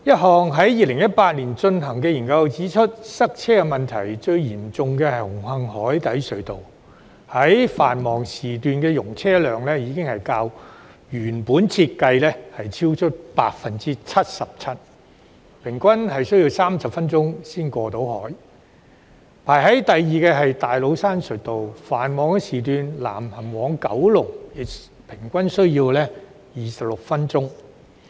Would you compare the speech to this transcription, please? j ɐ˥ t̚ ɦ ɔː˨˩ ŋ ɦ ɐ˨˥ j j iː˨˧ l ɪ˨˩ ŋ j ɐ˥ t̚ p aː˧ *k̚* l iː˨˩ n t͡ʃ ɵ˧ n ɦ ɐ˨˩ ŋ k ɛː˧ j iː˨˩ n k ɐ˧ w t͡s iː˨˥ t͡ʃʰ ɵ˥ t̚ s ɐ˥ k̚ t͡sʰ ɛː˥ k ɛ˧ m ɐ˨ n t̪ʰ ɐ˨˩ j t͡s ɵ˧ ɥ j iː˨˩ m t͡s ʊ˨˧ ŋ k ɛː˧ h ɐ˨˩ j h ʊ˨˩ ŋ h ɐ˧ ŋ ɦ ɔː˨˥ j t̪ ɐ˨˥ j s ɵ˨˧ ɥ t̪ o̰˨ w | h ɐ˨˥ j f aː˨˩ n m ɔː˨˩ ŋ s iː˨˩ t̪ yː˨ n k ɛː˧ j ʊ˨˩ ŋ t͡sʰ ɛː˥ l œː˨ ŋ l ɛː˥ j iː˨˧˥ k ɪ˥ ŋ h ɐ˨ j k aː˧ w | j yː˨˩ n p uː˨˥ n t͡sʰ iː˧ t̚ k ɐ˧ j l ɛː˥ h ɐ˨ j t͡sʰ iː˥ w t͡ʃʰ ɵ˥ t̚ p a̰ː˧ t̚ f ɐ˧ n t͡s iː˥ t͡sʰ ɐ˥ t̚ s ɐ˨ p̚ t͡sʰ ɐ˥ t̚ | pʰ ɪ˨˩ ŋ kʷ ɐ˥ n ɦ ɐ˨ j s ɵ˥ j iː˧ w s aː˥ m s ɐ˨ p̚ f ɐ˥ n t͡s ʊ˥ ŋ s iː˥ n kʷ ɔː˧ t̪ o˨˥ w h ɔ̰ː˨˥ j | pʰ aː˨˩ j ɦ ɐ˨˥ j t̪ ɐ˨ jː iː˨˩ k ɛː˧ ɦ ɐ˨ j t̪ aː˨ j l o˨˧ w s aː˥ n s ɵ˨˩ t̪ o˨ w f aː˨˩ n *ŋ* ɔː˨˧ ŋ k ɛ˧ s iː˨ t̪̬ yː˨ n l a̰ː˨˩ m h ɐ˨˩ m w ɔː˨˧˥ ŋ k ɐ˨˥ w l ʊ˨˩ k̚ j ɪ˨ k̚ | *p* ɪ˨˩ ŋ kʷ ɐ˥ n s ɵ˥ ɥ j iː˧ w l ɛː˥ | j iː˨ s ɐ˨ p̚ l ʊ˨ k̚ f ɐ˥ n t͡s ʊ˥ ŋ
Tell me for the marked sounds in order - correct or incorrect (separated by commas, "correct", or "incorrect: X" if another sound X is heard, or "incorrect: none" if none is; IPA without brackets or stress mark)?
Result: incorrect: t̚, incorrect: m, incorrect: pʰ